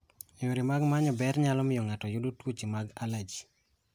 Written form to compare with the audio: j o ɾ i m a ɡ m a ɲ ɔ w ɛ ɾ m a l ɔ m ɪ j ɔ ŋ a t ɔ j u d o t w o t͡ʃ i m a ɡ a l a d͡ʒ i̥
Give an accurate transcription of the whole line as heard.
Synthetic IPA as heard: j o ɾ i m a ɡ m a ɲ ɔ b ɛ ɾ ɲ a l ɔ m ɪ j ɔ ŋ a t ɔ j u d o t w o t͡ʃ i m a ɡ a l a d͡ʒ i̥